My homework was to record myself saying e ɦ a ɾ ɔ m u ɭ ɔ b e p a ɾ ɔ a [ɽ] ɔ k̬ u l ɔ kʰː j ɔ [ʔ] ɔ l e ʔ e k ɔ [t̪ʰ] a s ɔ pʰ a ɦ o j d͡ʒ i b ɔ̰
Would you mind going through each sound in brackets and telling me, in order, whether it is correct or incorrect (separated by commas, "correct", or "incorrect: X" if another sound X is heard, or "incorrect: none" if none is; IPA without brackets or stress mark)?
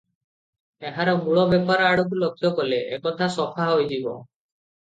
correct, incorrect: k, correct